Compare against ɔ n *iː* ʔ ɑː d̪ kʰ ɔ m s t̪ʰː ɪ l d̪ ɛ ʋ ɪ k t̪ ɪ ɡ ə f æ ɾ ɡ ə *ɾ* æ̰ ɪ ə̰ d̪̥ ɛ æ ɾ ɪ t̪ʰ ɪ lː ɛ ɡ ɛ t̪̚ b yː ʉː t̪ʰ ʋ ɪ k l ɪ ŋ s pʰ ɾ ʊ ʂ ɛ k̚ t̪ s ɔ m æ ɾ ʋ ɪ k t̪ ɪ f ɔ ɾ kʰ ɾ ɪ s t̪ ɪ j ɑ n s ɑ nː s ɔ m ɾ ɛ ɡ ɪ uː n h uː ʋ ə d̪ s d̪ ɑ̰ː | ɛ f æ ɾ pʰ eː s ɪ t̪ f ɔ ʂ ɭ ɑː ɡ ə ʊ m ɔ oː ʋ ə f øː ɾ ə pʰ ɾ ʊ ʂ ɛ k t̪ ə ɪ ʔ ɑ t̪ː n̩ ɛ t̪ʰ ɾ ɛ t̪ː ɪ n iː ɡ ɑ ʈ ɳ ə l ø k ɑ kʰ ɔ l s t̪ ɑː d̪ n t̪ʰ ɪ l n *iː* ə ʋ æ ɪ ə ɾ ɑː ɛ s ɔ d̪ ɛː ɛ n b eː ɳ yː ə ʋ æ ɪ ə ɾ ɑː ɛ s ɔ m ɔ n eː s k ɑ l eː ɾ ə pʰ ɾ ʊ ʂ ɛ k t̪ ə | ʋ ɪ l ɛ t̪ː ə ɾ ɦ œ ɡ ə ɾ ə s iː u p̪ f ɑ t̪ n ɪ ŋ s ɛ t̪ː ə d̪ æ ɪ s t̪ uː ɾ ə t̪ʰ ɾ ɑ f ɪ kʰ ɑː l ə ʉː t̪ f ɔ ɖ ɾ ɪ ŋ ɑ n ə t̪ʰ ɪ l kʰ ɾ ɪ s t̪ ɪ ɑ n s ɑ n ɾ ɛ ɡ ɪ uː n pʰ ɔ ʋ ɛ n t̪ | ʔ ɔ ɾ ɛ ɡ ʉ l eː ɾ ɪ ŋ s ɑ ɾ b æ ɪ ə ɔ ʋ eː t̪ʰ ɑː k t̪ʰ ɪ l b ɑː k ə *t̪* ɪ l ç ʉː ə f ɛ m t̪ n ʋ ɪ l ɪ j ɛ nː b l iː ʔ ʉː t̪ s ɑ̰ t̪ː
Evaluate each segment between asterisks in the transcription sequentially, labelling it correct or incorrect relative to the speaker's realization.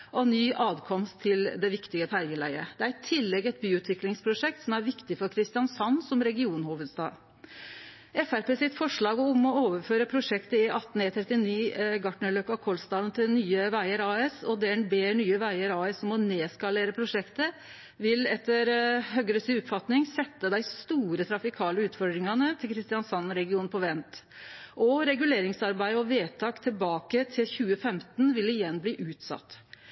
incorrect: yː, incorrect: l, incorrect: yː, incorrect: t̪ʰ

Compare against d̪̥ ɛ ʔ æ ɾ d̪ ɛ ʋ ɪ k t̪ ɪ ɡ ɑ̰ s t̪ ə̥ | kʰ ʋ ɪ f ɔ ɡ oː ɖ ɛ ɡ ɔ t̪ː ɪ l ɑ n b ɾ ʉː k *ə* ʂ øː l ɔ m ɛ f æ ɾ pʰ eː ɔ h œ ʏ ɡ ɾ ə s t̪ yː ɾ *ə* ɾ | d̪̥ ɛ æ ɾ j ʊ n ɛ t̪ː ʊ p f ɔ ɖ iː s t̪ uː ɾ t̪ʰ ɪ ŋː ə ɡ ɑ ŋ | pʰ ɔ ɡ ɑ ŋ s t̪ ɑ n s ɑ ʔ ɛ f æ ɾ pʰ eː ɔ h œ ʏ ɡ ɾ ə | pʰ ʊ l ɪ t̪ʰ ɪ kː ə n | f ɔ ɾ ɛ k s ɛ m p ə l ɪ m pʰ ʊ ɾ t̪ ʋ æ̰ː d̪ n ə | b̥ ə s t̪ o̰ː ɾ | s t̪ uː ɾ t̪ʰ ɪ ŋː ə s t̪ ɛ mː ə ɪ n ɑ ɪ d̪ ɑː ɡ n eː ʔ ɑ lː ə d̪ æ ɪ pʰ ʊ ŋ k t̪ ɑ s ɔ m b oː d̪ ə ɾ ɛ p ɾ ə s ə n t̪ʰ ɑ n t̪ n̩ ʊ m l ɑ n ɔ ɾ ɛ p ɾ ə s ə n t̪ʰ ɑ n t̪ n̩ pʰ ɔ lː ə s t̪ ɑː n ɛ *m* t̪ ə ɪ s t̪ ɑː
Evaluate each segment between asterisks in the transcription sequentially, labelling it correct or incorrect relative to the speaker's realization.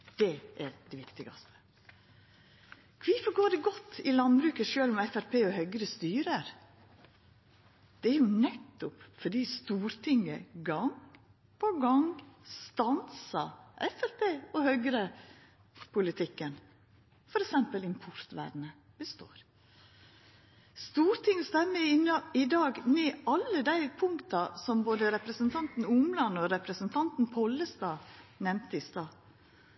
correct, correct, correct

